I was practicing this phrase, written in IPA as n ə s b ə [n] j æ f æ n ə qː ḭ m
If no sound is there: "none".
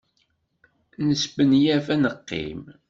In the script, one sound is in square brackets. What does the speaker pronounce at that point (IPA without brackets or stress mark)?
n